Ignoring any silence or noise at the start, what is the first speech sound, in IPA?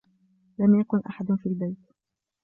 l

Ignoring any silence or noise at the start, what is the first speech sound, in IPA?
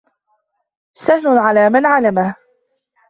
s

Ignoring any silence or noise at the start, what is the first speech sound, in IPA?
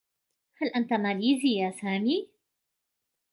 h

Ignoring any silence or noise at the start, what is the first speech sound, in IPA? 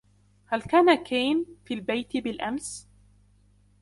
h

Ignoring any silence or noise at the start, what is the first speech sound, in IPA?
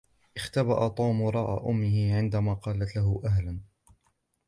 ʔ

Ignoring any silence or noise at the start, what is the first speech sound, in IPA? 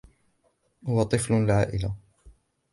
h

